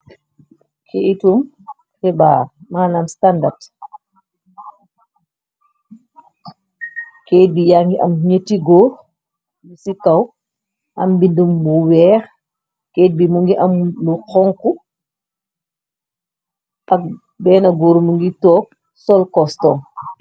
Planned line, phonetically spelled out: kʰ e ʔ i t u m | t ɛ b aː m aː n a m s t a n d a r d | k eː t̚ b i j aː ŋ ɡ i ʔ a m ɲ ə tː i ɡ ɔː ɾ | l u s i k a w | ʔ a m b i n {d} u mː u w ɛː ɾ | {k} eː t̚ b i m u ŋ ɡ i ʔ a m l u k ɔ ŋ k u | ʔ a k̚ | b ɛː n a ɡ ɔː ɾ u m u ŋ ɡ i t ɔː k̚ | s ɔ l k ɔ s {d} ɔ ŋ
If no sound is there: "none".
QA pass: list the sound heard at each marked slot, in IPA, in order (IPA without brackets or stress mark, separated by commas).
d, k, t